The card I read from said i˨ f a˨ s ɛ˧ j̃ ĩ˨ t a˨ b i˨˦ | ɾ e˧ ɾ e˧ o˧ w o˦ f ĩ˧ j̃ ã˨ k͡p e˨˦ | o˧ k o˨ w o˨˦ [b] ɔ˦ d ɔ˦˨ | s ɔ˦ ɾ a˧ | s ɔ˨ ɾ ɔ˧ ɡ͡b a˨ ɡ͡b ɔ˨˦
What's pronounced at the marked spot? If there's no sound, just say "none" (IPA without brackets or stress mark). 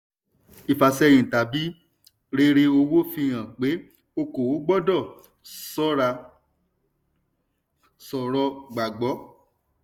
ɡ͡b